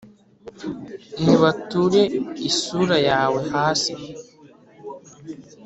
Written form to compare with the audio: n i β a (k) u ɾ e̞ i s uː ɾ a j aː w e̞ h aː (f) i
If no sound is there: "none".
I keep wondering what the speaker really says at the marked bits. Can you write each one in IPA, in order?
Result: t, s

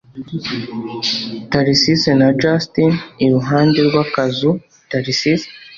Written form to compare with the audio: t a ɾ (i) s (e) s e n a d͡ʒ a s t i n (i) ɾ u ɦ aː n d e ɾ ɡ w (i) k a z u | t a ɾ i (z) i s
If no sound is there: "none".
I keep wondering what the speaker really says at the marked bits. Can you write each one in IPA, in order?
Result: i, i, i, a, s

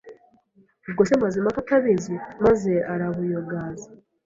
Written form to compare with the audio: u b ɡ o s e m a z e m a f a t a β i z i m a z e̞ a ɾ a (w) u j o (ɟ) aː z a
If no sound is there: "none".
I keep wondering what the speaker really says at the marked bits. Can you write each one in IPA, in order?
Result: β, ɡ

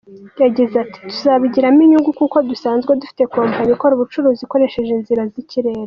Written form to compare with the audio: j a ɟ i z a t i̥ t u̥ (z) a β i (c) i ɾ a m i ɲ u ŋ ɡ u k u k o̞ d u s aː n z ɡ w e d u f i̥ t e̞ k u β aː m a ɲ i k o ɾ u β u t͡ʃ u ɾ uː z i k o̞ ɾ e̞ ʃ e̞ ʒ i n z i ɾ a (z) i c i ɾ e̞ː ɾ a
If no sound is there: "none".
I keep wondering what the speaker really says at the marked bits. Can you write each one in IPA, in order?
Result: z, ɟ, z

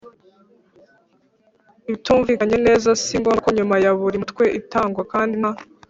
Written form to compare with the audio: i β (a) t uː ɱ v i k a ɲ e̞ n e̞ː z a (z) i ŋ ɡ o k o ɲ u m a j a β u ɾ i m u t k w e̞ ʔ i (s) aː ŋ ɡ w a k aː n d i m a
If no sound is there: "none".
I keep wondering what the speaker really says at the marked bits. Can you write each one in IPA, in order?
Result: i, s, t

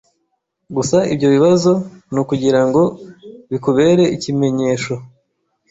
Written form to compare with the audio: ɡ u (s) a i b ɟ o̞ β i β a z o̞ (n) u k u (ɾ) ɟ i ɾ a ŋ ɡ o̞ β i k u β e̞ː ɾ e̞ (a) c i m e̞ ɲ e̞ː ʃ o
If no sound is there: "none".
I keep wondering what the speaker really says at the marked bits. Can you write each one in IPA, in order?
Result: s, n, none, i

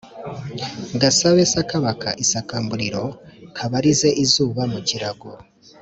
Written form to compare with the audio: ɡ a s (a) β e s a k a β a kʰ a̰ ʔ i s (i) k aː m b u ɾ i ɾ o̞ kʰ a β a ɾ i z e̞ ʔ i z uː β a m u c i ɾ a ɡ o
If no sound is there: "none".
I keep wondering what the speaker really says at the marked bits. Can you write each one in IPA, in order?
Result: a, a

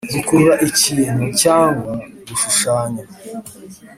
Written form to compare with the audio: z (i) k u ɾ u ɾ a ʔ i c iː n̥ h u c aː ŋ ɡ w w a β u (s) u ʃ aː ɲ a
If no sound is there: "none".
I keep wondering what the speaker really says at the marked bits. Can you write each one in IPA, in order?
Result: i, ʃ

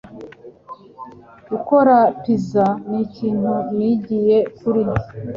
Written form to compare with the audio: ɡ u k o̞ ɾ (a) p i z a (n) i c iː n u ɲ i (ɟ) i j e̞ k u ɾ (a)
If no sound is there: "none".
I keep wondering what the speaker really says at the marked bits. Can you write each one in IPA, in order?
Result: a, n, ɟ, i

